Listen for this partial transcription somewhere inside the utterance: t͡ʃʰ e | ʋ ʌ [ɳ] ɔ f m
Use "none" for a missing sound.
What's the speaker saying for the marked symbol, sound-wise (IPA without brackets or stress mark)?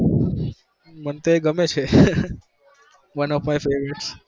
n